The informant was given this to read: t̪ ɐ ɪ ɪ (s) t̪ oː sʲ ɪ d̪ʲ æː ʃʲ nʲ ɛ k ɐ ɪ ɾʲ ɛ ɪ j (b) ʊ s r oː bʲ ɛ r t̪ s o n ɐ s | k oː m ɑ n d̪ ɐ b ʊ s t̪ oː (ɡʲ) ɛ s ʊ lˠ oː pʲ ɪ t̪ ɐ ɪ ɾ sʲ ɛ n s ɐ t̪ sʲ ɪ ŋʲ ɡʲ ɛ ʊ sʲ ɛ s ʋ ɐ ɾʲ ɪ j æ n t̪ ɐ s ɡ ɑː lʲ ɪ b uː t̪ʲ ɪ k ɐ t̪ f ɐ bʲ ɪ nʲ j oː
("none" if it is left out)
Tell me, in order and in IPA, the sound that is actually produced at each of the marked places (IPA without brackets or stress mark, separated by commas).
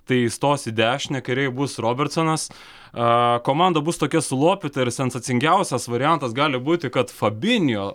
s, b, kʲ